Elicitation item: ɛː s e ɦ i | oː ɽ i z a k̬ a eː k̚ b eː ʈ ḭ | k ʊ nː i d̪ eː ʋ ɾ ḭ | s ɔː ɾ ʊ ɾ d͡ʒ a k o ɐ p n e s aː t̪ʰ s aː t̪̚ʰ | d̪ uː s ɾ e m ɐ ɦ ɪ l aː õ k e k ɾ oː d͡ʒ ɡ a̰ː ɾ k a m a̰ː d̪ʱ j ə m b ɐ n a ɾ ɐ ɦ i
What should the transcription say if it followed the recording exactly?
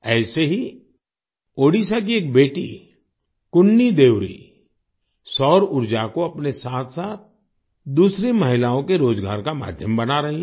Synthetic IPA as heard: ɛː s e ɦ i | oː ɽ i s a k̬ i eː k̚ b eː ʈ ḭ | k ʊ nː i d̪ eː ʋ ɾ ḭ | s ɔː ɾ ʊ ɾ d͡ʒ a k o ɐ p n e s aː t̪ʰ s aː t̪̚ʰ | d̪ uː s ɾ e m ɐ ɦ ɪ l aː õ k e ɾ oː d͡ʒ ɡ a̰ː ɾ k a m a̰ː d̪ʱ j ə m b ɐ n a ɾ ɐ ɦ i